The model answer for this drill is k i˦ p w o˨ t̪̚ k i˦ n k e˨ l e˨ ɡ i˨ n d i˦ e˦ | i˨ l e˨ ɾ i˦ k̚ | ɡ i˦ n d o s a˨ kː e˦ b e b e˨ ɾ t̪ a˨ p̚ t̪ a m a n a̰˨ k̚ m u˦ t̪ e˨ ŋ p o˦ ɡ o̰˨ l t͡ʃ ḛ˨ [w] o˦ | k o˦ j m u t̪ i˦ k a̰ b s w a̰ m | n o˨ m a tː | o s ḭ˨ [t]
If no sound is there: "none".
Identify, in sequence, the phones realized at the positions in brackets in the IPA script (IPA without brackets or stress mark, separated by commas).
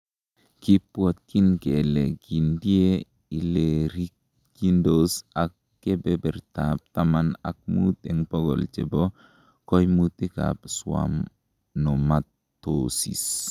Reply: b, s